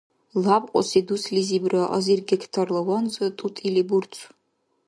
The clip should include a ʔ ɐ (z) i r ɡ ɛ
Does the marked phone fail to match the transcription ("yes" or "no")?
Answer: no